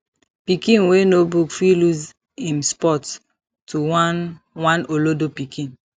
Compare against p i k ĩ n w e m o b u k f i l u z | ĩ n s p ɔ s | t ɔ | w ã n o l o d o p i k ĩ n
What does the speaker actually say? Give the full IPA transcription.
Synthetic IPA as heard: p i k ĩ n w e n o b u k f i l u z | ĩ m s p ɔ t | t u | w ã n o l o d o p i k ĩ n